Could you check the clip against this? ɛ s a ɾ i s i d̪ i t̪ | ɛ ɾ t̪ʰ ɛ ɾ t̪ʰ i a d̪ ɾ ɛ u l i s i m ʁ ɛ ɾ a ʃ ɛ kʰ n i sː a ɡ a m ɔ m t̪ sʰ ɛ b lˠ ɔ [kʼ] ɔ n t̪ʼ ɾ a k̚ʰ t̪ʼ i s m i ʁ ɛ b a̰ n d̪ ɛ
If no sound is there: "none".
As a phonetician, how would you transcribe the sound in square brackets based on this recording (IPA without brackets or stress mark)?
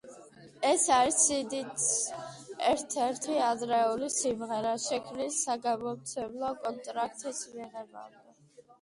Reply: kʼ